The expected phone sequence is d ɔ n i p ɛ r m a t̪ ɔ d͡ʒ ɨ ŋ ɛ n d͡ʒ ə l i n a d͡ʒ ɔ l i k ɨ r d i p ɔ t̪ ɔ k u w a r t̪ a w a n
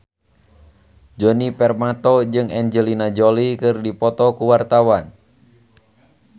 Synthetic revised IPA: d͡ʒ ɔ n i p ɛ r m a t̪ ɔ d͡ʒ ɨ ŋ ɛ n d͡ʒ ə l i n a d͡ʒ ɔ l i k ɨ r d i p ɔ t̪ ɔ k u w a r t̪ a w a n

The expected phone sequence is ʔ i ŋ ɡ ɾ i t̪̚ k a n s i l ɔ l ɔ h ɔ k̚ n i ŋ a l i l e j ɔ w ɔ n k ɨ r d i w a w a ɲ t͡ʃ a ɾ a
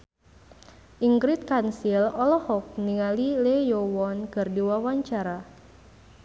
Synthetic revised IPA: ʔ i ŋ ɡ ɾ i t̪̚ k a n s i l ɔ l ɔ h ɔ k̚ n i ŋ a l i l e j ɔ w ɔ n k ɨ r d i w a w a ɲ t͡ʃ a ɾ a

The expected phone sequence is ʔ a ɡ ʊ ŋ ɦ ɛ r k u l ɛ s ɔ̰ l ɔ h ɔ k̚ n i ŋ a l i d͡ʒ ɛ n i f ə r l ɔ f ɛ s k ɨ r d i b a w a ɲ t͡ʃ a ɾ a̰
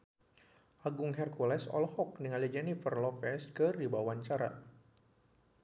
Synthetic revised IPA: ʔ a ɡ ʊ ŋ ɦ ɛ r k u l ɛ s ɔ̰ l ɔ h ɔ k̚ n i ŋ a l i d͡ʒ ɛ n i f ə r l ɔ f ɛ s k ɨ r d i b a w a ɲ t͡ʃ a ɾ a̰

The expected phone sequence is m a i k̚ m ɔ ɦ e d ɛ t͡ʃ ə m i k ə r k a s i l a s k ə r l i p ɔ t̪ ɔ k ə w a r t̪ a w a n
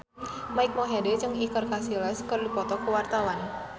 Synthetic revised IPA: m a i k̚ m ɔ ɦ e d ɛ t͡ʃ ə ŋ i k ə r k a s i l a s k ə r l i p ɔ t̪ ɔ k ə w a r t̪ a w a n

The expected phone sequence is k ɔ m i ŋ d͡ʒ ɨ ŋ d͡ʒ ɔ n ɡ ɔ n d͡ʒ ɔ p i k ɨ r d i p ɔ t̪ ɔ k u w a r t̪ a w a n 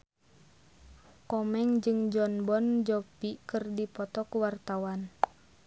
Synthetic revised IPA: k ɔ m ɛ ŋ d͡ʒ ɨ ŋ d͡ʒ ɔ n b ɔ n d͡ʒ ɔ p i k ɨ r d i p ɔ t̪ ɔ k u w a r t̪ a w a n

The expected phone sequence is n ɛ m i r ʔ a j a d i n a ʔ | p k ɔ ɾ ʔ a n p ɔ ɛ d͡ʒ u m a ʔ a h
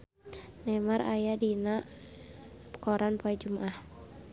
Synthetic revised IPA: n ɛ m a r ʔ a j a d i n a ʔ | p k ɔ ɾ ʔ a n p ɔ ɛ d͡ʒ u m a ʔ a h

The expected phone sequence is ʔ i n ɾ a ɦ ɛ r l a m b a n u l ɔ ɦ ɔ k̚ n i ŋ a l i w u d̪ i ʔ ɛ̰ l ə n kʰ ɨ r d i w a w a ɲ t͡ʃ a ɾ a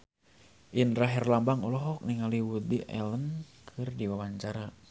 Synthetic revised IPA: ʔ i n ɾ a ɦ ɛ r l a m b a ŋ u l ɔ ɦ ɔ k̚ n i ŋ a l i w u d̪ i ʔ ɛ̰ l ə n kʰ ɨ r d i w a w a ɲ t͡ʃ a ɾ a

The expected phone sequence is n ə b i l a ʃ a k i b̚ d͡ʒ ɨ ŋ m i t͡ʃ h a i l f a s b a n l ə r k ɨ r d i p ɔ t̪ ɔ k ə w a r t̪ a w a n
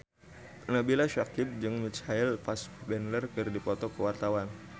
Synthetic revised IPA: n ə b i l a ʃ a k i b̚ d͡ʒ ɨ ŋ m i t͡ʃ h a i l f a s b ɛ n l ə r k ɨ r d i p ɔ t̪ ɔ k ə w a r t̪ a w a n

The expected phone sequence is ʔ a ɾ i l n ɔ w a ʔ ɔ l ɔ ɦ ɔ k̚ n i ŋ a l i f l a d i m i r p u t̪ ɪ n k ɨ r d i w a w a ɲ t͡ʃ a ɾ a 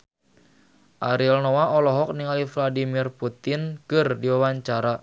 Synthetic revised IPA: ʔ a ɾ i l n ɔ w a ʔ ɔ l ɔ ɦ ɔ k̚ n i ŋ a l i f l a d i m i r p u t̪ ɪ n k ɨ r d i w a w a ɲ t͡ʃ a ɾ a

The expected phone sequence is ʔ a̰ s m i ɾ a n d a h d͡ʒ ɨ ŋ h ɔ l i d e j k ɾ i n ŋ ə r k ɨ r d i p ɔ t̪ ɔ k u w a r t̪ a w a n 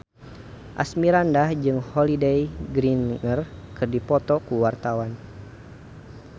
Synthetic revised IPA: ʔ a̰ s m i ɾ a n d a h d͡ʒ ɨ ŋ h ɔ l i d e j ɡ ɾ i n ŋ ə r k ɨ r d i p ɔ t̪ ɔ k u w a r t̪ a w a n

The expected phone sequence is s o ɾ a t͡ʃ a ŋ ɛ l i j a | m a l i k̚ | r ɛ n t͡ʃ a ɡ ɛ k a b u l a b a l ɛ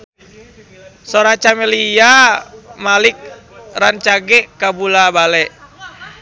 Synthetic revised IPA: s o ɾ a t͡ʃ a m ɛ l i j a | m a l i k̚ | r a n t͡ʃ a ɡ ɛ k a b u l a b a l ɛ

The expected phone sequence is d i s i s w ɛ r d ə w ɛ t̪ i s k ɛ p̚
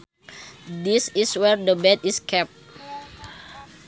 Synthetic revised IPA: d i s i s w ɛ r d ə b ɛ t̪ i s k ɛ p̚

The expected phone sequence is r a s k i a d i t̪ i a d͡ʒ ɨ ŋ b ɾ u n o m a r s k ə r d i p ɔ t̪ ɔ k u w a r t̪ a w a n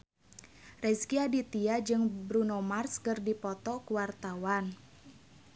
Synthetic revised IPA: r ɛ s k i a d i t̪ i a d͡ʒ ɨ ŋ b ɾ u n o m a r s k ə r d i p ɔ t̪ ɔ k u w a r t̪ a w a n

